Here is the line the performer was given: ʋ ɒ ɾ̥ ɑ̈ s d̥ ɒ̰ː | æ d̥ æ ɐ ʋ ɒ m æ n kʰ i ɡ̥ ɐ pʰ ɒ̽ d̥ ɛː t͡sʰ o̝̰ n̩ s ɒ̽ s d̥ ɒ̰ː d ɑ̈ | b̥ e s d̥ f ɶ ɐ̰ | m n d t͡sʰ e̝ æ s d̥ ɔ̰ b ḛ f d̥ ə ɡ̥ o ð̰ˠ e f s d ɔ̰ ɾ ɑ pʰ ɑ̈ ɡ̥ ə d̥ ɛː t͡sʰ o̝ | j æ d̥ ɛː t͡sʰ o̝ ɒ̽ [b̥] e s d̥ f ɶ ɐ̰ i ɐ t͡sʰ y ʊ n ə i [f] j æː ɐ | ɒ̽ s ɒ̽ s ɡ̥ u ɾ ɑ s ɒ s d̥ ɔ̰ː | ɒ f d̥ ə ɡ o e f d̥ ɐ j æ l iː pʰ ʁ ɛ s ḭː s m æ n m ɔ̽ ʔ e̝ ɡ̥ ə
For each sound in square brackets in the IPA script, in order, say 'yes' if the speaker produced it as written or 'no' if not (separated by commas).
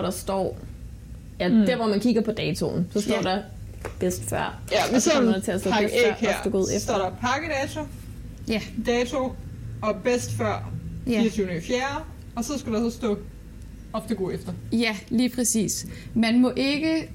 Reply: yes, yes